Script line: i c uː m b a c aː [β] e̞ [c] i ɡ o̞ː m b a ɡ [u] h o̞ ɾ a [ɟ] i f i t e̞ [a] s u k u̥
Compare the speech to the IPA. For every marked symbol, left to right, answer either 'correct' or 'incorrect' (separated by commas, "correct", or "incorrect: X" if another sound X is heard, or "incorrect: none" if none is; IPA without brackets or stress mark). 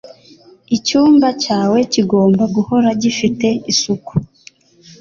incorrect: w, correct, correct, correct, incorrect: i